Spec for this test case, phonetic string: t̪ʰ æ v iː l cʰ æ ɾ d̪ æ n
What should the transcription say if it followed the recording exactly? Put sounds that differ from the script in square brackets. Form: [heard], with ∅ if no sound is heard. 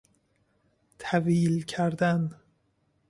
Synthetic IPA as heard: t̪ʰ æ v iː l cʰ æ ɾ d̪ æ n